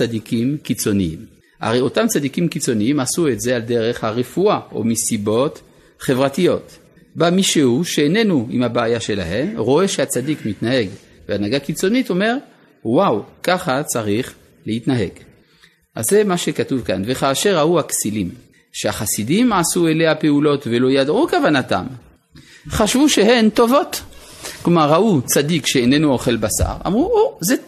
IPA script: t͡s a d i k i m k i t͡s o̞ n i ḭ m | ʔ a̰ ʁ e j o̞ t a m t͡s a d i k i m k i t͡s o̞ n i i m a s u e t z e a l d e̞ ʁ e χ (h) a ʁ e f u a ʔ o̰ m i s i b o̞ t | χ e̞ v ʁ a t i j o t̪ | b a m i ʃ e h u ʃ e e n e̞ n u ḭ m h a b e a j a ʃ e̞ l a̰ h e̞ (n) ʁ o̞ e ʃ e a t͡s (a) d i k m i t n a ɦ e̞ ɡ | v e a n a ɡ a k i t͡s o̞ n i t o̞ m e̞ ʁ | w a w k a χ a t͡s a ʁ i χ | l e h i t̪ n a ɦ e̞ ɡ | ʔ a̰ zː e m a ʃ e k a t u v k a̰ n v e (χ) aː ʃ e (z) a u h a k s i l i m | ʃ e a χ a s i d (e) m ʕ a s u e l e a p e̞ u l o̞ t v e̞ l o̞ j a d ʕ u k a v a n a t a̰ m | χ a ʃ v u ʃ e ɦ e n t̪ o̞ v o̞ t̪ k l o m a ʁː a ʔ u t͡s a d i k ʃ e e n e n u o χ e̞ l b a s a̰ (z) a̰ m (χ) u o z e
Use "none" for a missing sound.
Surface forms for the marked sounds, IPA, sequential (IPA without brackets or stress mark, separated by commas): h, m, a, χ, ʁ, i, ʁ, ʁ